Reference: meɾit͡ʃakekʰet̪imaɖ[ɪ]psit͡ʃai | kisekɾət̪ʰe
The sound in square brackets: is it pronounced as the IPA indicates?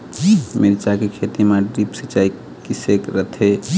no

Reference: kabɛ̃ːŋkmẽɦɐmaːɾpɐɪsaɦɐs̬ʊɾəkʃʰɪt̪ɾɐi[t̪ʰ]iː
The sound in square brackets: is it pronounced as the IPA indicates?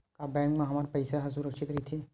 yes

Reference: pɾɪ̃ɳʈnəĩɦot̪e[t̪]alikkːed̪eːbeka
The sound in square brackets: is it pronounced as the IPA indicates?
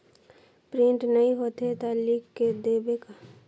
yes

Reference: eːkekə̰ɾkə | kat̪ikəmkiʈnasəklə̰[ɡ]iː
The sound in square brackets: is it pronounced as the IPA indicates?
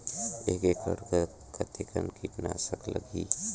yes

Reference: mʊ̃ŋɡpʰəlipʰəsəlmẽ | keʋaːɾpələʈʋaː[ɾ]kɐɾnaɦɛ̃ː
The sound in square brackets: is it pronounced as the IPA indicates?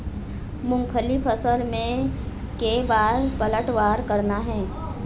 yes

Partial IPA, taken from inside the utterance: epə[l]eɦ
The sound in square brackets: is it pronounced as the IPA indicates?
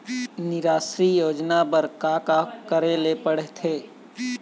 no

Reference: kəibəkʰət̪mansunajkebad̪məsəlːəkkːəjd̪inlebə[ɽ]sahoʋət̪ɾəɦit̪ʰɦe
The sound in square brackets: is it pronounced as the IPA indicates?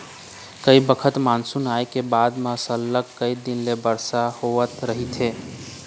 no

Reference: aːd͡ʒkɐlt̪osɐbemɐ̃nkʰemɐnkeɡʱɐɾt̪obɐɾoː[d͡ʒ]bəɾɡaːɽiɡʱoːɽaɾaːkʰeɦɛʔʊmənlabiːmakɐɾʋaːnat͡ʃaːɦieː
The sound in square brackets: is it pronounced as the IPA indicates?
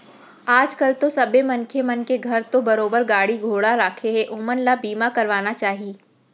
no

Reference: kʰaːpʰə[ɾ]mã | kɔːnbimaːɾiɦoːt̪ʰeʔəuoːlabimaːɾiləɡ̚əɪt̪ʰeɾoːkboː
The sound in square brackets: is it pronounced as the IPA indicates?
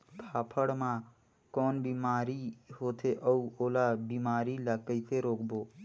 no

